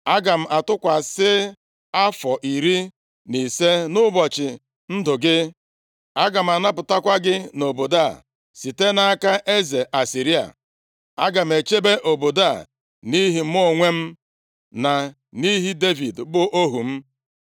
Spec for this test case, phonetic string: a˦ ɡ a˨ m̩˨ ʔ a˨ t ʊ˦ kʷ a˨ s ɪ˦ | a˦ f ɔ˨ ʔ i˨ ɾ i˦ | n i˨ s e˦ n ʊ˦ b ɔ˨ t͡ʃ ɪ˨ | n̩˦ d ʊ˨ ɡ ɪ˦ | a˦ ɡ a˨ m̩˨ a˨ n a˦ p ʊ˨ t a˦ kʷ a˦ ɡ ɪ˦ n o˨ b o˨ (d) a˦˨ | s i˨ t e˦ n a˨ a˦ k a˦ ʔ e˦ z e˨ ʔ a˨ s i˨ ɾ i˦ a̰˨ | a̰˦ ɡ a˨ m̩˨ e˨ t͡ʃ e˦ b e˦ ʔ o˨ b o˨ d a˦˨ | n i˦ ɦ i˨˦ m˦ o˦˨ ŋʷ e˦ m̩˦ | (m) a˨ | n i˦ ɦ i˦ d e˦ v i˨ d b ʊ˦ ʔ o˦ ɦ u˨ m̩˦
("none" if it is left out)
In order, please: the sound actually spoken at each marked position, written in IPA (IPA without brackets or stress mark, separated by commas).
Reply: d, n